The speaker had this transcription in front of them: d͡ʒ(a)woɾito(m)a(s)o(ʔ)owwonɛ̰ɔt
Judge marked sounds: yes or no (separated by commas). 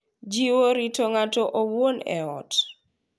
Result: no, no, no, yes